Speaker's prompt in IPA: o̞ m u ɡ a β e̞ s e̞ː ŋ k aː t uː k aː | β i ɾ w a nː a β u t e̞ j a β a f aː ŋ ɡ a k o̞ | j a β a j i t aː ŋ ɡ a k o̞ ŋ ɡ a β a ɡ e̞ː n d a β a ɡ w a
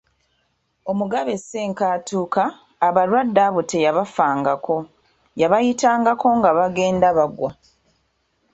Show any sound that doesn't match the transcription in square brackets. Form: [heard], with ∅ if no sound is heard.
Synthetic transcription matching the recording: o̞ m u ɡ a β e̞ s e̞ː ŋ k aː t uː k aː | β [a] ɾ w a [dː] a β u t e̞ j a β a f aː ŋ ɡ a k o̞ | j a β a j i t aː ŋ ɡ a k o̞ ŋ ɡ a β a ɡ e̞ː n d a β a ɡ w a